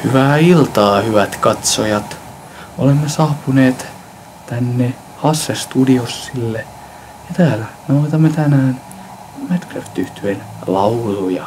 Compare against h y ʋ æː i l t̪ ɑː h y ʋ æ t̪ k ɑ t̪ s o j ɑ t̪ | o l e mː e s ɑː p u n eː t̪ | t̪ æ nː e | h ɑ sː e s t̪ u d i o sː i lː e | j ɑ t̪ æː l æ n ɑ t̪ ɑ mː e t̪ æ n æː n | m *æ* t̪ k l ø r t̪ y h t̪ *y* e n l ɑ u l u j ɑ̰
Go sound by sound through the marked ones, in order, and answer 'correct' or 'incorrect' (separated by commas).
correct, correct